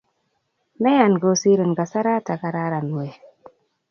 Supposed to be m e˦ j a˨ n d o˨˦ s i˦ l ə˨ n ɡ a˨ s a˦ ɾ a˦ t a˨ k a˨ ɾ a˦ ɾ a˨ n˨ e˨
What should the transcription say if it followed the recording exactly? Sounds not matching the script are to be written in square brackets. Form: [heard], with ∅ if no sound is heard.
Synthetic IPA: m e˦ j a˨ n [ɡ] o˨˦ s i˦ [ɾ] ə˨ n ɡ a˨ s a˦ ɾ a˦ t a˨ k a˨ ɾ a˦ ɾ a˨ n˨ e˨